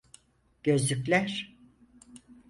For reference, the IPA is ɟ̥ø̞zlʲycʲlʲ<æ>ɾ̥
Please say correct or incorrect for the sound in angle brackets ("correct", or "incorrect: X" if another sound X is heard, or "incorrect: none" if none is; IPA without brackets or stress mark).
correct